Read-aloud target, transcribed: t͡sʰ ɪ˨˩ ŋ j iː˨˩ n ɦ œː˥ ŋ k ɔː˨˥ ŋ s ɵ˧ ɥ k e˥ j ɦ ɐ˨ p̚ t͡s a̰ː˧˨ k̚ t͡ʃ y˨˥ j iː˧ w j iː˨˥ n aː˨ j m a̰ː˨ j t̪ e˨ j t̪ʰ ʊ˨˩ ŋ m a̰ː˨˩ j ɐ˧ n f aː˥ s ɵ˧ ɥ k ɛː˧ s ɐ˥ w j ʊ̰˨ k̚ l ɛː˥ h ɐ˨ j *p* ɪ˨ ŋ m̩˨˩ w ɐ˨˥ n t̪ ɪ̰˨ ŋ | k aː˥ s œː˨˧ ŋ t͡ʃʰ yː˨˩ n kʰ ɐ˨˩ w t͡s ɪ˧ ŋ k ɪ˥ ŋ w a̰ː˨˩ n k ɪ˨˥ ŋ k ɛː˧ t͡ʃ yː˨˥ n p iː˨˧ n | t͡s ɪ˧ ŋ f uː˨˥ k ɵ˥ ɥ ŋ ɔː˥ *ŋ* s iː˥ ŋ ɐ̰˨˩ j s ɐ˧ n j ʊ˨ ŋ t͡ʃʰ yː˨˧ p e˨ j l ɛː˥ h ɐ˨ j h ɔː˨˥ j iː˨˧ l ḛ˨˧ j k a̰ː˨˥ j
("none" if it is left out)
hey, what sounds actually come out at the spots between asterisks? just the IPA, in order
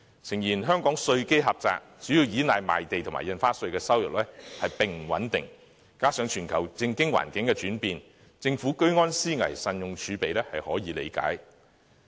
p, n

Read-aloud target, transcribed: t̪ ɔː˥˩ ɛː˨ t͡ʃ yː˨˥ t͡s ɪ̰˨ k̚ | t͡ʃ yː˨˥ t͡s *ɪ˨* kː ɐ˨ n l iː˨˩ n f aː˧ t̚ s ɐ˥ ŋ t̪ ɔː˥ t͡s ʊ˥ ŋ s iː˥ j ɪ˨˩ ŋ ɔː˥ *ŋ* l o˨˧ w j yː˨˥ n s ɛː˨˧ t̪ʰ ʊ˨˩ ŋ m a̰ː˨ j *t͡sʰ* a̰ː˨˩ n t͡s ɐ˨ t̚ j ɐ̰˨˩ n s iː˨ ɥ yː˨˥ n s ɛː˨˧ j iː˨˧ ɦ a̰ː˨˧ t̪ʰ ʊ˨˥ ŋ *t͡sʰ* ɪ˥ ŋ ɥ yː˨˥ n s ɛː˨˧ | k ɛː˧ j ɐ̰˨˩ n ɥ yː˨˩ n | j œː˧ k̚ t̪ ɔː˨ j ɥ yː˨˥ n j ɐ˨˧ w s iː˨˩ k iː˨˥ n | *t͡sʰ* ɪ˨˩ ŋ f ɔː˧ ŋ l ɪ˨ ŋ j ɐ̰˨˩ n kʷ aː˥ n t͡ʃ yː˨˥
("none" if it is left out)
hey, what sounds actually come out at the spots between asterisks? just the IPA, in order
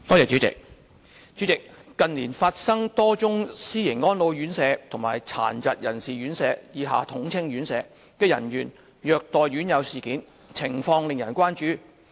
ɪ˨, n, t͡sʰ, t͡sʰ, t͡sʰ

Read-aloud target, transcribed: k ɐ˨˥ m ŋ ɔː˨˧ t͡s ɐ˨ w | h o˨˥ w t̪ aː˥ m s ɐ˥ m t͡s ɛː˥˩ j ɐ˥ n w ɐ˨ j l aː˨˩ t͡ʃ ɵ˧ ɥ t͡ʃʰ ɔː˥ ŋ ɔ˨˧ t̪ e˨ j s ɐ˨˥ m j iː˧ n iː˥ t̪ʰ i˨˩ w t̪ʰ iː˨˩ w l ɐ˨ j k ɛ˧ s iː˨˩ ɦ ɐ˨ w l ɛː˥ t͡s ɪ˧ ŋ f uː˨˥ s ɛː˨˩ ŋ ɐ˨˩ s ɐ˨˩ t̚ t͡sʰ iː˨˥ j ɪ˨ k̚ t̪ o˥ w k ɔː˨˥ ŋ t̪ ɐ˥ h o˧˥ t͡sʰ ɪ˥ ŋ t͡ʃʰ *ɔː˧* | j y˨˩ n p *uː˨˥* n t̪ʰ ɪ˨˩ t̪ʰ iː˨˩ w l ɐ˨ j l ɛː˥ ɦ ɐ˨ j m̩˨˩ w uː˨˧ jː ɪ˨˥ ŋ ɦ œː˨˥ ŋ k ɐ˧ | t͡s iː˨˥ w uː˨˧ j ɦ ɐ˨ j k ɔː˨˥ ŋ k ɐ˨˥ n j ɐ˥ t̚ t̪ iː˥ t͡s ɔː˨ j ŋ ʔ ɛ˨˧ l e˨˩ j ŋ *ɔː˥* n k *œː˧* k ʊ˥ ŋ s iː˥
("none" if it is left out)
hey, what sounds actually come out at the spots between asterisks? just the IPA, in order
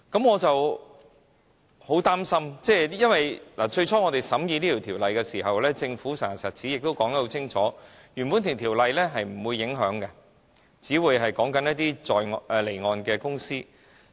ɔː˨˥, u˨˥, ɔː˨˧, ɛː˧

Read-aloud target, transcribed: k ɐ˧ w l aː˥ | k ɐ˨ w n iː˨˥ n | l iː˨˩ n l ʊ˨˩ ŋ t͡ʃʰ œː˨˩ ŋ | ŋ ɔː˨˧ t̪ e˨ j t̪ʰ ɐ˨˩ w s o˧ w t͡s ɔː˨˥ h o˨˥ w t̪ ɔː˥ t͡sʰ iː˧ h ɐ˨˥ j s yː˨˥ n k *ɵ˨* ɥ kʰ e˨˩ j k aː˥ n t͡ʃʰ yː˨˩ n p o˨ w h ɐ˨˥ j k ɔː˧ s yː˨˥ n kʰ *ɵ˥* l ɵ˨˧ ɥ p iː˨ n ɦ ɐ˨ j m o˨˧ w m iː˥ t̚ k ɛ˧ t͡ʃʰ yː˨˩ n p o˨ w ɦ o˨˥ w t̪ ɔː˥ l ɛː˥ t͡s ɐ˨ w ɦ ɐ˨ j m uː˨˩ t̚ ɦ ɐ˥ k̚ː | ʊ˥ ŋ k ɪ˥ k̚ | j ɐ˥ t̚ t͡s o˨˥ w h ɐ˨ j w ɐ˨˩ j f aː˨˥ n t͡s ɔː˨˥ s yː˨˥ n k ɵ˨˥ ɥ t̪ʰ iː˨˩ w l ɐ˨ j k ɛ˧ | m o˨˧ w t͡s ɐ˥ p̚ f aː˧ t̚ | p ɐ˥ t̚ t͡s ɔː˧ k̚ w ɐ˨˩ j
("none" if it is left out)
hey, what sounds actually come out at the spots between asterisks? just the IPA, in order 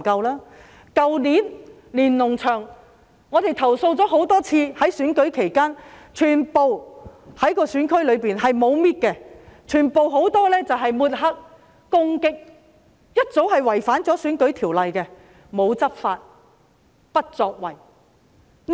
ɵ˨˥, ɵ˥

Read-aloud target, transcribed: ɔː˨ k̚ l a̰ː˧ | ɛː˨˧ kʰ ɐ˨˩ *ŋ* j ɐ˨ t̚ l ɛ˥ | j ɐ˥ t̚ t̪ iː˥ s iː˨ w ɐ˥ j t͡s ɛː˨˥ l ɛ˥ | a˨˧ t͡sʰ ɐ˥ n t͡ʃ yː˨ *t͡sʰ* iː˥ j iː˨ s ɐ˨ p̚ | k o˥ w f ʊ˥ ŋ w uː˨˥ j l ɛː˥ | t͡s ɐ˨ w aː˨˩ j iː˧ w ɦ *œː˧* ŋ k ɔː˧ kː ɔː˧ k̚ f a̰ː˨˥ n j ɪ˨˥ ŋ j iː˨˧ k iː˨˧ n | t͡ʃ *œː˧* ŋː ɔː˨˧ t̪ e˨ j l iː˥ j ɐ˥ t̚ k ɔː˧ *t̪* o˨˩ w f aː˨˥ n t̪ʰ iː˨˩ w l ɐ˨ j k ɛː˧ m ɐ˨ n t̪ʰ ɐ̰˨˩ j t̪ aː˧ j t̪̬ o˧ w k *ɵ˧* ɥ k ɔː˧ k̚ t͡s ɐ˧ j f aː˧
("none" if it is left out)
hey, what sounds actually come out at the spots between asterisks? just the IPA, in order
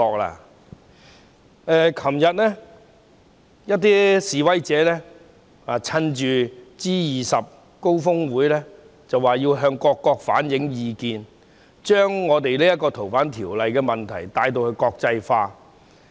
m, t͡s, œː˧, œː˥, t̪ʰ, ɵ˧

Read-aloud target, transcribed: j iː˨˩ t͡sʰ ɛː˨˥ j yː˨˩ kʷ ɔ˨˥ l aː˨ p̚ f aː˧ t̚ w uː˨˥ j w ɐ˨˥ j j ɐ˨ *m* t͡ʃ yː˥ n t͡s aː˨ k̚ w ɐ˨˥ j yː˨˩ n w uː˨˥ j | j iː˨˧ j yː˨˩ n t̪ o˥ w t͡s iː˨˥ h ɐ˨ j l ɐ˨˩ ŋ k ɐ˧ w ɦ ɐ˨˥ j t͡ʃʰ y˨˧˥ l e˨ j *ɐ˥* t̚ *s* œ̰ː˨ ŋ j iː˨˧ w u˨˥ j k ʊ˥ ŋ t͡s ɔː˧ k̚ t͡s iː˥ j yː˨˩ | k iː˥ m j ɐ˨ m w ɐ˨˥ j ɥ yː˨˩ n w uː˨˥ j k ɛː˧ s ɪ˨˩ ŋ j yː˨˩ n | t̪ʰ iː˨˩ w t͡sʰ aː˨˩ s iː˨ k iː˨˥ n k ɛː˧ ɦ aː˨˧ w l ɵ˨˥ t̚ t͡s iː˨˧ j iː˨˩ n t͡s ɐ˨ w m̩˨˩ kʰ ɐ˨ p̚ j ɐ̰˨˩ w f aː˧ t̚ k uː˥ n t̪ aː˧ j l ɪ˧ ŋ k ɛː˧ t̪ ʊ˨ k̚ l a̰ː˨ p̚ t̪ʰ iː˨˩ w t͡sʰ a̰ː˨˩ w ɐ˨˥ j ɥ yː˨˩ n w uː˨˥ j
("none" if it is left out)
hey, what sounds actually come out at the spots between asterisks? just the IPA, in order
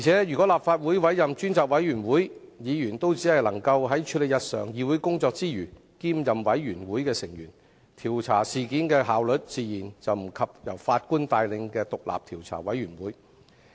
m, ɐ˨, s

